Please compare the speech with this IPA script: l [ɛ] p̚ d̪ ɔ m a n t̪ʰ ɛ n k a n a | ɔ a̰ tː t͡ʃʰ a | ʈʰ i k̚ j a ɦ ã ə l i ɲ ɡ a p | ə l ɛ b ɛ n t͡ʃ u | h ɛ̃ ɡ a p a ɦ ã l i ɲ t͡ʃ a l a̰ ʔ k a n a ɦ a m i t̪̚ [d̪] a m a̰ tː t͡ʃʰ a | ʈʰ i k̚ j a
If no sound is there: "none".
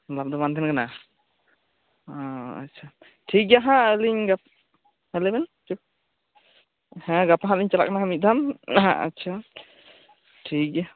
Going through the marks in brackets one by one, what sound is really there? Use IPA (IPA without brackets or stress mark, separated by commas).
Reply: a, d̪